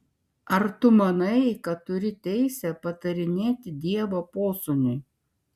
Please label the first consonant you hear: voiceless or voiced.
voiced